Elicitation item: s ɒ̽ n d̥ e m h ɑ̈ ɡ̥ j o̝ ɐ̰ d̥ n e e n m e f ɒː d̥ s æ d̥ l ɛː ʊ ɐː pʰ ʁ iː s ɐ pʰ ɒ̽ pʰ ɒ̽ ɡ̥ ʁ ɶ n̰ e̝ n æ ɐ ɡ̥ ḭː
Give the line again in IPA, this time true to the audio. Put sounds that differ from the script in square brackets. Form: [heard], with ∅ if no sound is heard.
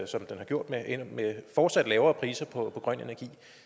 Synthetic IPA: s ɒ̽ [m] d̥ e [n] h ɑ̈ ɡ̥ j o̝ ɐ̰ d̥ [m] e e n m e f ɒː d̥ s æ d̥ l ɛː ʊ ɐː pʰ ʁ iː s ɐ pʰ ɒ̽ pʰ ɒ̽ ɡ̥ ʁ ɶ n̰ e̝ n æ ɐ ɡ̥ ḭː